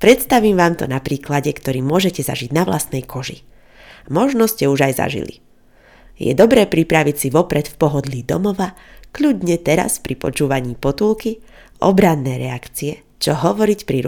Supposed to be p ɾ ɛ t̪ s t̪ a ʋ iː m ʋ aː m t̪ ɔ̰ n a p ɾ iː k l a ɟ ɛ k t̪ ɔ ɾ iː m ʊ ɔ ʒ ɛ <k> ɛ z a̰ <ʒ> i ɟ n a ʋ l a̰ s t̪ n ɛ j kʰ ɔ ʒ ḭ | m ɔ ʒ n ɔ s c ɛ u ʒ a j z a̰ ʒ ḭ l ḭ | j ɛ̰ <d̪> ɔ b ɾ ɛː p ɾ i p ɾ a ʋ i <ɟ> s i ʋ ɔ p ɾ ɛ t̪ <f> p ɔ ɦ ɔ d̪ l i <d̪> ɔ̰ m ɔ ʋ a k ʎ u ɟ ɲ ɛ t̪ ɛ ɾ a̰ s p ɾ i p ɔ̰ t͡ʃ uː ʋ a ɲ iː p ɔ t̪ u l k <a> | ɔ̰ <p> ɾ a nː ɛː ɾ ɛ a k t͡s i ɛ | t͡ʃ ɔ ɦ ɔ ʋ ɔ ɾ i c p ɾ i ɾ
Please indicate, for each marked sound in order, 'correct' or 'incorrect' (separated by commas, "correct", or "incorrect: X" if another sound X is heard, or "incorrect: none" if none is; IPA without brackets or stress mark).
incorrect: c, correct, correct, incorrect: c, correct, correct, incorrect: i, incorrect: b